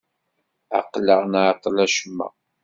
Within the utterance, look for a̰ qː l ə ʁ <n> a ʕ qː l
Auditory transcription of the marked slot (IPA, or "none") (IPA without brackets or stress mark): n